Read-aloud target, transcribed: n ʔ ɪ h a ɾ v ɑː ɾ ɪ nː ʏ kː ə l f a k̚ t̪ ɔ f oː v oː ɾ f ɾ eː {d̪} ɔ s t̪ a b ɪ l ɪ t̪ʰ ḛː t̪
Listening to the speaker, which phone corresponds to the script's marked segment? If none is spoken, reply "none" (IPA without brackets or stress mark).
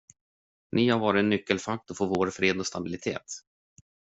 d̪